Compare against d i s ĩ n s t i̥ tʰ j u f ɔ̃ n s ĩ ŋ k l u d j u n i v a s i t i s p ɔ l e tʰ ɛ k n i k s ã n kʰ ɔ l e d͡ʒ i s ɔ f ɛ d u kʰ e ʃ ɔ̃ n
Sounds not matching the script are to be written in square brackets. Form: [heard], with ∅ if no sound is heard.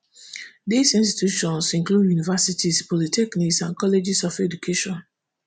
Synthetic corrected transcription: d i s ĩ n s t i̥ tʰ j u [ʃ] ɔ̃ n s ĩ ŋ k l u d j u n i v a s i t i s p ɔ l [i] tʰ ɛ k n i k s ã n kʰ ɔ l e d͡ʒ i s ɔ f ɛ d u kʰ e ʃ ɔ̃ n